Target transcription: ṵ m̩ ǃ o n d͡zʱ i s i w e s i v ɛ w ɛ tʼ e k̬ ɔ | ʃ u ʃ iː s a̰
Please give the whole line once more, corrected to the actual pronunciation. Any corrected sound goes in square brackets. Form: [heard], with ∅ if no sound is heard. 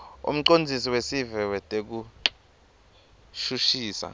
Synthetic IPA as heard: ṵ m̩ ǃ o n d͡zʱ i s i w e s i v ɛ w ɛ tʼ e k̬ [u] | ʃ u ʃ iː s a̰